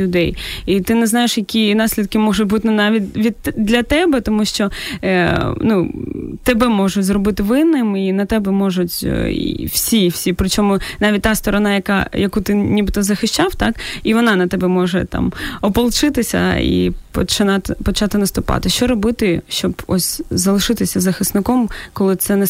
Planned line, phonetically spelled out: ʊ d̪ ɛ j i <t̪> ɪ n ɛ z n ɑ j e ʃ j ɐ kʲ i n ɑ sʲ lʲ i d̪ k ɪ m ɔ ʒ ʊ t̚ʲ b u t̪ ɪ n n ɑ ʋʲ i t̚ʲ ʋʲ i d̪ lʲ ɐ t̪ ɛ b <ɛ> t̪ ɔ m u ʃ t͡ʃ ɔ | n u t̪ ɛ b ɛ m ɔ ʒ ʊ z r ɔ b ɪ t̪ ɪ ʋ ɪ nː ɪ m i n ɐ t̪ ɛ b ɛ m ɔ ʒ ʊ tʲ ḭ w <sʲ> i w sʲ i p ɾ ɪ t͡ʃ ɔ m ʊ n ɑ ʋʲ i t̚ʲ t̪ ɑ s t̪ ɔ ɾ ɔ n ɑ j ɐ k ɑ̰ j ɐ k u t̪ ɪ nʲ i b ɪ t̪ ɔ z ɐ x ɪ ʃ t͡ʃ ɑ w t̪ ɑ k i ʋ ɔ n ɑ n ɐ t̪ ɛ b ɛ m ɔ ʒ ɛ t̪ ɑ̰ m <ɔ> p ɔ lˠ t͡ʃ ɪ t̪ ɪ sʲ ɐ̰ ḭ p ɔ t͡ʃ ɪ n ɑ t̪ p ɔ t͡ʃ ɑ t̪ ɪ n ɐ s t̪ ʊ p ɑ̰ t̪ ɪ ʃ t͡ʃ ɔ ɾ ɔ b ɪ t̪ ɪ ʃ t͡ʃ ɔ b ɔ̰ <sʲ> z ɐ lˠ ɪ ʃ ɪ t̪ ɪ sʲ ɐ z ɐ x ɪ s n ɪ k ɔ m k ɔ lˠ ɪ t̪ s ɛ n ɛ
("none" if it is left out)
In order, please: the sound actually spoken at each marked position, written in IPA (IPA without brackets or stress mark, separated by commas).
t̪, ɛ, sʲ, ɔ, sʲ